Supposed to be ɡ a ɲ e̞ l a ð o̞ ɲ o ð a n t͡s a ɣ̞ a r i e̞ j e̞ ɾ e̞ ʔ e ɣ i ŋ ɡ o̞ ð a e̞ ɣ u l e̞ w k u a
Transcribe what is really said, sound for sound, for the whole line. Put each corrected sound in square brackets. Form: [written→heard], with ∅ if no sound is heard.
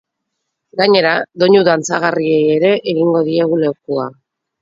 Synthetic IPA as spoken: ɡ a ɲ e̞ [l→ɾ] a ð o̞ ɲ [o→u] ð a n t͡s a ɣ̞ a r i e̞ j e̞ ɾ e̞ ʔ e ɣ i ŋ ɡ o̞ ð [a→i] e̞ ɣ u l e̞ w k u a